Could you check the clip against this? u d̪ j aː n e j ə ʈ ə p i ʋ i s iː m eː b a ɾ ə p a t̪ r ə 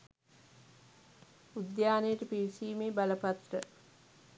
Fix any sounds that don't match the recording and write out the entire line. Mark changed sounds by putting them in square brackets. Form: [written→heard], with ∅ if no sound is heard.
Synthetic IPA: u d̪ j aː n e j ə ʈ ə p i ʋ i s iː m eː b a [ɾ→l] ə p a t̪ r ə